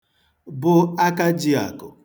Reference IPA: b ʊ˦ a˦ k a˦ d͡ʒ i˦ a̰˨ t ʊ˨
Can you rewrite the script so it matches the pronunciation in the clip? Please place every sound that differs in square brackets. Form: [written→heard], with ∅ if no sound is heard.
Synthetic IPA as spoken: b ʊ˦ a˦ k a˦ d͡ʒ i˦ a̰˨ [t→k] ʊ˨